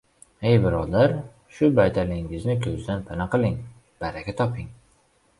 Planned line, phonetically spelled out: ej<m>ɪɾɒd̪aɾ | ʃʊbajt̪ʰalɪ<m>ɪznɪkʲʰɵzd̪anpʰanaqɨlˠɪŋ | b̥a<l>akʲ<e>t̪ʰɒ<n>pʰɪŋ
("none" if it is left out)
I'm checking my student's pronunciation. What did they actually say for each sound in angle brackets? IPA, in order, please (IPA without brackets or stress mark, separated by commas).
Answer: b, ŋ, ɾ, a, none